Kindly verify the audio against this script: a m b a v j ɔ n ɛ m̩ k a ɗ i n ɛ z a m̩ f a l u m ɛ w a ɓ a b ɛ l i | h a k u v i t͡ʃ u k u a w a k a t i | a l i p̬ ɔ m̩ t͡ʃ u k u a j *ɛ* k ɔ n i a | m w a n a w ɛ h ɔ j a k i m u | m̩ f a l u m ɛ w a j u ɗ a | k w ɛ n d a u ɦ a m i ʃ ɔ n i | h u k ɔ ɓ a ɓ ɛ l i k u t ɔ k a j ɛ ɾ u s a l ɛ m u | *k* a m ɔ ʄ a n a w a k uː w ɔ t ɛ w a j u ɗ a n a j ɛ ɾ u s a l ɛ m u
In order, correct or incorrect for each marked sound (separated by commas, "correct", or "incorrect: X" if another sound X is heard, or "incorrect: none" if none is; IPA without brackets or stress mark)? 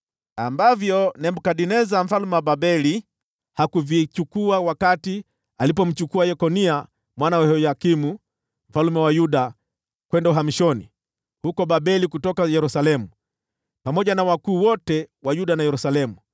correct, incorrect: p